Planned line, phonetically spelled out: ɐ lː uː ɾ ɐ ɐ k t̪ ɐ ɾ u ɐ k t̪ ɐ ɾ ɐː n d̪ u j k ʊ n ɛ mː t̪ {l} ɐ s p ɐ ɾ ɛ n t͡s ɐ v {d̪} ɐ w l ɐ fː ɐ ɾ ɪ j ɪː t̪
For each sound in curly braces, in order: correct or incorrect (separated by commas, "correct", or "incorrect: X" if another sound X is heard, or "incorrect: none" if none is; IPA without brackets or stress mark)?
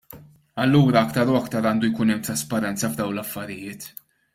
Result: incorrect: ɾ, correct